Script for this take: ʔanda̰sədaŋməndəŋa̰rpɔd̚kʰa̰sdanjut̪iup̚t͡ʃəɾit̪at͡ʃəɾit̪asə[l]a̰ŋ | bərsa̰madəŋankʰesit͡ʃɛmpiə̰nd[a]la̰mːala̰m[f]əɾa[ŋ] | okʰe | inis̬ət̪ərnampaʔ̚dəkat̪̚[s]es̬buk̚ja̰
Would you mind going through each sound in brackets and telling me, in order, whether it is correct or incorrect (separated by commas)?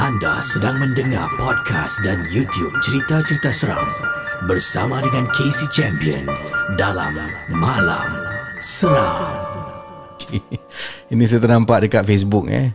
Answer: incorrect, correct, incorrect, correct, incorrect